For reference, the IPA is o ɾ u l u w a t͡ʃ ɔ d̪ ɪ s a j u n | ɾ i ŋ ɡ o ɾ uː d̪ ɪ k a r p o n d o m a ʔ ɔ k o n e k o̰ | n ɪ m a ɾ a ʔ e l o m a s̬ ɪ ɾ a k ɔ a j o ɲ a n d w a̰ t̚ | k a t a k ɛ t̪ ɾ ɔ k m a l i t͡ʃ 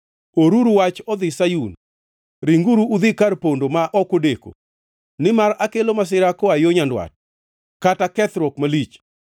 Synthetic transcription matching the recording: o ɾ u ɾ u w a t͡ʃ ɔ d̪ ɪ s a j u n | ɾ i ŋ ɡ u ɾ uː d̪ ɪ k a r p o n d o m a ʔ ɔ k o d e k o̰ | n ɪ m a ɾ a k e l o m a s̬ ɪ ɾ a k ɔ a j o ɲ a n d w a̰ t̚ | k a t a k ɛ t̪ ɾ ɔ k m a l i t͡ʃ